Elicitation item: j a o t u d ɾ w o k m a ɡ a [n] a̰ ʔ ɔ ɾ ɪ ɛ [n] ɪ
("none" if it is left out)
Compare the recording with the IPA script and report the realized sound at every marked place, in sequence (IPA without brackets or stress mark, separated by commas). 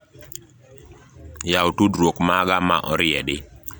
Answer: m, d